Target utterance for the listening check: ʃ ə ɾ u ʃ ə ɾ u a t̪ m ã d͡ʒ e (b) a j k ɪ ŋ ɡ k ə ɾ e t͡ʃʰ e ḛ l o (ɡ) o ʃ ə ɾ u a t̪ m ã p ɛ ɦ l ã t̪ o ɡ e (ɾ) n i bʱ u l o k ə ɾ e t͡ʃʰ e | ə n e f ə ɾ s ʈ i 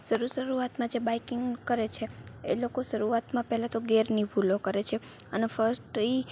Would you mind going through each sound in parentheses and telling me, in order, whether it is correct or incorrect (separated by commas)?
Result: correct, incorrect, correct